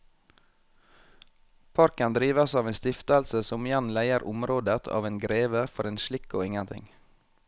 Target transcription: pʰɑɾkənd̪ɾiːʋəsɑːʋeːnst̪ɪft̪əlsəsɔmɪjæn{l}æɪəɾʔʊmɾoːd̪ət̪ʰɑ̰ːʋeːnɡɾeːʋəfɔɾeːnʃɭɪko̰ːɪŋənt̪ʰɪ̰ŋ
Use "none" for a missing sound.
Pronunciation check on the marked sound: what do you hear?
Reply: l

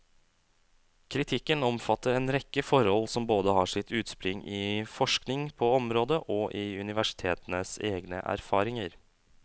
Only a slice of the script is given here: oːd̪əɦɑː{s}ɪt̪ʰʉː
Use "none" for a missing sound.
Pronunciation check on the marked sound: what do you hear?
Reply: ʂ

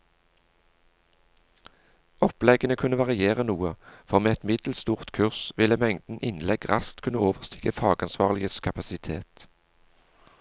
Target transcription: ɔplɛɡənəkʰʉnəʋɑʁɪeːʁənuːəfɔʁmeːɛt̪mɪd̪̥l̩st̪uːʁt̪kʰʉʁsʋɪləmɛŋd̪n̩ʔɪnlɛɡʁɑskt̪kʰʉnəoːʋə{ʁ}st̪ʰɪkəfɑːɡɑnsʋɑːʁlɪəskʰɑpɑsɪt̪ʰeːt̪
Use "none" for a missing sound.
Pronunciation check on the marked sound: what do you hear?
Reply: ʁ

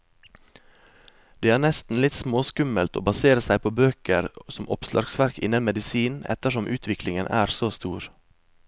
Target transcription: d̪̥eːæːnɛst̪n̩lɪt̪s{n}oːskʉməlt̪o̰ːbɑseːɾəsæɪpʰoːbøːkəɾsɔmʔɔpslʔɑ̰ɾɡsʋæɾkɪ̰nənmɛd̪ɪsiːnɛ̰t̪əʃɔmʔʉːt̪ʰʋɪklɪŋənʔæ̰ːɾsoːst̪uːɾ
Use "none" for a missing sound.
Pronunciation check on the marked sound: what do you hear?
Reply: m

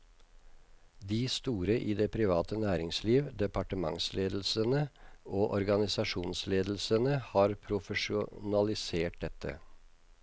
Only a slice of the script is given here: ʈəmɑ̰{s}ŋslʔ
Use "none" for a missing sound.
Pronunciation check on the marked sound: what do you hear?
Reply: none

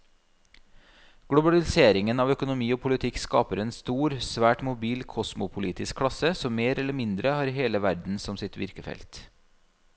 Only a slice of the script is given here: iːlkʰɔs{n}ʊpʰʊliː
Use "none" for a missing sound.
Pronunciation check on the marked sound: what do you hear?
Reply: m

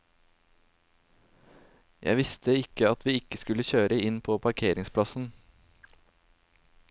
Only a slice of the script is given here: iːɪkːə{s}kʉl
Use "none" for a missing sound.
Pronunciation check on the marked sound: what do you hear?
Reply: s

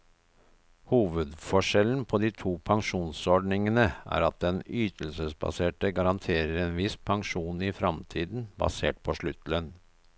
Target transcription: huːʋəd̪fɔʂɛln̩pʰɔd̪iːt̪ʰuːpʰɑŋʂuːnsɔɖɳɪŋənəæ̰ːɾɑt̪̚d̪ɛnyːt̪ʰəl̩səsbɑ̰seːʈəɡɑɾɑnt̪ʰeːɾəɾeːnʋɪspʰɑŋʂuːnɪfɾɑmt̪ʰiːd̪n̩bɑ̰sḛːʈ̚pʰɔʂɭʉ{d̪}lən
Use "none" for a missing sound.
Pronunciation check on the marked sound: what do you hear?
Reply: t̪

